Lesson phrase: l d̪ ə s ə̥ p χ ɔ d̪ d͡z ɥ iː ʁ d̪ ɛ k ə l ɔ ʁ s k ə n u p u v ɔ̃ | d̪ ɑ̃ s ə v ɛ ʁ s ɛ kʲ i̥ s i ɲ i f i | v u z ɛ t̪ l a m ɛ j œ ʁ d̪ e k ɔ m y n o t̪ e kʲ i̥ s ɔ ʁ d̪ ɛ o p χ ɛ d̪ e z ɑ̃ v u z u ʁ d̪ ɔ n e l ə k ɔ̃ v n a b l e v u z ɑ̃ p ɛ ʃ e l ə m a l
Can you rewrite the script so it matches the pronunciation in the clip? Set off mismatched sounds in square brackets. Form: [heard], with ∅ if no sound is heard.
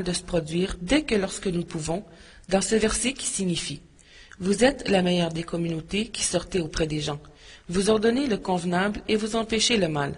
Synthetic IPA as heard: l d̪ ə s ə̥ p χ ɔ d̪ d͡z ɥ iː ʁ d̪ ɛ k ə l ɔ ʁ s k ə n u p u v ɔ̃ | d̪ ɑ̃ s ə v ɛ ʁ s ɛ kʲ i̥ s i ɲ i f i | v u z ɛ t̪ l a m ɛ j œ ʁ d̪ e k ɔ m y n o t̪ e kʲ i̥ s ɔ ʁ [t̪] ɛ o p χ ɛ d̪ e [ʒ] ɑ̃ v u z [ɔ] ʁ d̪ ɔ n e l ə k ɔ̃ v n a b l e v u z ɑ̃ p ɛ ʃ e l ə m a l

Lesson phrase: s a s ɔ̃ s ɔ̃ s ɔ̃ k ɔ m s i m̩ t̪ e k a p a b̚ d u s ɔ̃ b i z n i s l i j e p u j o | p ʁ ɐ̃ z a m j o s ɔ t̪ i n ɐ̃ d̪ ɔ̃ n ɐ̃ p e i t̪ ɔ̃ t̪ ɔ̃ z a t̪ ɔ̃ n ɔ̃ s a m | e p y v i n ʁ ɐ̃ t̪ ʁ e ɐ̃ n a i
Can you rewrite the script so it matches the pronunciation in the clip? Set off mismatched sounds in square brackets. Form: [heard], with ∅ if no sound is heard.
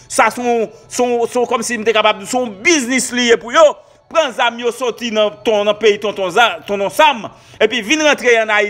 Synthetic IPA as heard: s a s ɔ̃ s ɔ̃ s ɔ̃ k ɔ m s i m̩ t̪ e k a p a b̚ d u s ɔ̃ b i z n i s l i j e p u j o | p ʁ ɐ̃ z a m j o s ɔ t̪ i n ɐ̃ [t̪] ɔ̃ n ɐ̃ p e i t̪ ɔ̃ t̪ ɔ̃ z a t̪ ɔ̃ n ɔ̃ s a m | e p [i] v i n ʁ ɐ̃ t̪ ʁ e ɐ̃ n a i

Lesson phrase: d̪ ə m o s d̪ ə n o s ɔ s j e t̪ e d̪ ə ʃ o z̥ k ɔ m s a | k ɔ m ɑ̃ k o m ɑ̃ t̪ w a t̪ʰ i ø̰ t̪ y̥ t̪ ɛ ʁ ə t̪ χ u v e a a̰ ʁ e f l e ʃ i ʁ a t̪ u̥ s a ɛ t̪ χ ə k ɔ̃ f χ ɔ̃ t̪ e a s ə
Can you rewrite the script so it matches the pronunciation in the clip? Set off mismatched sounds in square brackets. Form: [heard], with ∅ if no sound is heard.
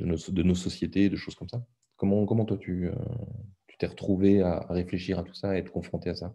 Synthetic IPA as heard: d̪ ə [n] o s d̪ ə n o s ɔ s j e t̪ e d̪ ə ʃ o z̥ k ɔ m s a | k ɔ m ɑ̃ k [ɔ] m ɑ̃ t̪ w a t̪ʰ [y] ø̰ t̪ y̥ t̪ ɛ ʁ ə t̪ χ u v e a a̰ ʁ e f l e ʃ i ʁ a t̪ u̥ s a ɛ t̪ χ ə k ɔ̃ f χ ɔ̃ t̪ e a s [a]

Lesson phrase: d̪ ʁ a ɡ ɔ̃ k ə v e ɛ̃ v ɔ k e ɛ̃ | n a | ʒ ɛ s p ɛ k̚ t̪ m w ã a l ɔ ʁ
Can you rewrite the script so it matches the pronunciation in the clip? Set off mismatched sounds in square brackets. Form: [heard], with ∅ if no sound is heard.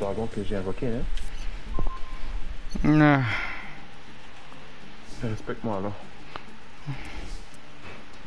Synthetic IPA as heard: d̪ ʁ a ɡ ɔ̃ k ə [ʒ] e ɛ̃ v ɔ k e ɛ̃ | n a | [ʁ] ɛ s p ɛ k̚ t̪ m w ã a l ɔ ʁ

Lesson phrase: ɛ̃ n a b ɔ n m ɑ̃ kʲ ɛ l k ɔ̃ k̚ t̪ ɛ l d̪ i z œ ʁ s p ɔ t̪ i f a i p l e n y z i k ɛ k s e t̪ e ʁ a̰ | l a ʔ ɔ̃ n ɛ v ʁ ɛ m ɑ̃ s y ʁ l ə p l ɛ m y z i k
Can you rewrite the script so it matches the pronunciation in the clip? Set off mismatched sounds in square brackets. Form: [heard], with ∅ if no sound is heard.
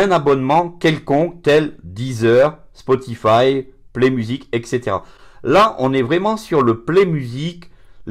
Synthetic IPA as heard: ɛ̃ n a b ɔ n m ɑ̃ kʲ ɛ l k ɔ̃ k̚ t̪ ɛ l d̪ i z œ ʁ s p ɔ t̪ i f a [j] p l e [m] y z i k ɛ k s e t̪ e ʁ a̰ | l a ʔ ɔ̃ n ɛ v ʁ ɛ m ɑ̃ s y ʁ l ə p l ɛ m y z i k

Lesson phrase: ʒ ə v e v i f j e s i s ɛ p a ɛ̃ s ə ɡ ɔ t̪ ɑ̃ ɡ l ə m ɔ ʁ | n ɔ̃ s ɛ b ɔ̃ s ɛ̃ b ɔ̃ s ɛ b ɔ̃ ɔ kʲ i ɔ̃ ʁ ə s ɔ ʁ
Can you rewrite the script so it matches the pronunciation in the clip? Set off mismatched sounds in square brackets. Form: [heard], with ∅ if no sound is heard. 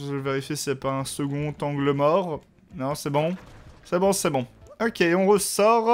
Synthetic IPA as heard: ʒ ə v e [ʁ] i f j e s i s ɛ p a ɛ̃ s ə ɡ [ɔ̃] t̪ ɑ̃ ɡ l ə m ɔ ʁ | n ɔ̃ s ɛ b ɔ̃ s [ɛ] b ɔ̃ s ɛ b ɔ̃ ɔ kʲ [e] ɔ̃ ʁ ə s ɔ ʁ

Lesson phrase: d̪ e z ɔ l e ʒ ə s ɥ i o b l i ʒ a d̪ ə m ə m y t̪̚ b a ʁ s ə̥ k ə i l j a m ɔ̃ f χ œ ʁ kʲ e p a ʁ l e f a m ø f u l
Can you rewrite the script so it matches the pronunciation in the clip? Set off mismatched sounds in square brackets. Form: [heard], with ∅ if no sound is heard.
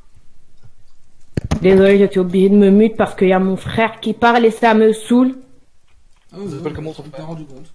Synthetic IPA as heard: d̪ e z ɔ l e ʒ ə s ɥ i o b l i ʒ [e] d̪ ə m ə m y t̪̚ [p] a ʁ s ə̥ k ə i l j a m ɔ̃ f χ [ɛ] ʁ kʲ [i] p a ʁ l e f a m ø [s] u l

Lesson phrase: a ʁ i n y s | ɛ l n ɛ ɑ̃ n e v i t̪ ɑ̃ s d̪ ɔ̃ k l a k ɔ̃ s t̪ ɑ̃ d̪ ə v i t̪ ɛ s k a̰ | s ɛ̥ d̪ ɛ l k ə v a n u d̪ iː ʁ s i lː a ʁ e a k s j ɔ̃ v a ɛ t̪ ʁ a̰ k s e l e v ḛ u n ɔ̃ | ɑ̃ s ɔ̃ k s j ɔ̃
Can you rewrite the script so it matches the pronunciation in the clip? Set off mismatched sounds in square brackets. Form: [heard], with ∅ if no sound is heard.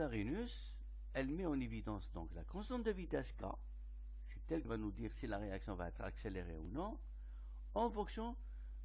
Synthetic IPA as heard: a ʁ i n y s | ɛ l [m] ɛ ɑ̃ n e v i [d̪] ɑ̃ s d̪ ɔ̃ k l a k ɔ̃ s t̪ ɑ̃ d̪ ə v i t̪ ɛ s k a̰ | s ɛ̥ [t̪] ɛ l k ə v a n u d̪ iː ʁ s i [l] a ʁ e a k s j ɔ̃ v a ɛ t̪ [χ] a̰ k s e l e [ʁ] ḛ u n ɔ̃ | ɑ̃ [f] ɔ̃ k s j ɔ̃

